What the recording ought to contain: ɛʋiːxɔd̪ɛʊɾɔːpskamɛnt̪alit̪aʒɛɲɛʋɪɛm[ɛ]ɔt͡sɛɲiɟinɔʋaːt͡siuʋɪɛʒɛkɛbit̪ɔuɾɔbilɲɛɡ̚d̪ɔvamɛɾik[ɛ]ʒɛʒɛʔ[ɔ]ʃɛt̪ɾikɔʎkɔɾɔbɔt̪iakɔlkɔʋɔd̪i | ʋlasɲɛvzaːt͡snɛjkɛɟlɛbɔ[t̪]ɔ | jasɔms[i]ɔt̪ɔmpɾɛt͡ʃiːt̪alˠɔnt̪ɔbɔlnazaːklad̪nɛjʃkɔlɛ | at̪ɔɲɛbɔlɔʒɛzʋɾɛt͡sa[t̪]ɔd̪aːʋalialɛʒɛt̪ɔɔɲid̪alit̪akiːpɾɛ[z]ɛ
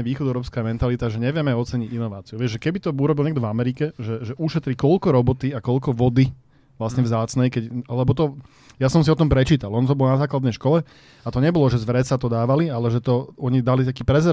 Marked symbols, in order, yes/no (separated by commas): yes, yes, no, yes, yes, yes, yes